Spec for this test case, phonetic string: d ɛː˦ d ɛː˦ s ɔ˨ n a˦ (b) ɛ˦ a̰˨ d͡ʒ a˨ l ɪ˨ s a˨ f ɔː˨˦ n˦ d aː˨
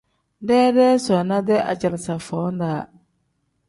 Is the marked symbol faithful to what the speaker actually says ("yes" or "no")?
no